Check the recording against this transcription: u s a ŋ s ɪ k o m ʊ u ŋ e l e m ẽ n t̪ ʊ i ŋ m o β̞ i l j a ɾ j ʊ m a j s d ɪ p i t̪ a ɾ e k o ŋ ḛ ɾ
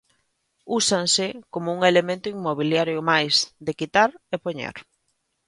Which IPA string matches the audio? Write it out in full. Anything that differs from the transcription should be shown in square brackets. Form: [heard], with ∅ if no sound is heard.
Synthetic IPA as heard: u s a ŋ s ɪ k o m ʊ u ŋ e l e m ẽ n t̪ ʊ i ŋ m o β̞ i l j a ɾ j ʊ m a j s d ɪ [k] i t̪ a ɾ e [p] o [ɲ] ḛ ɾ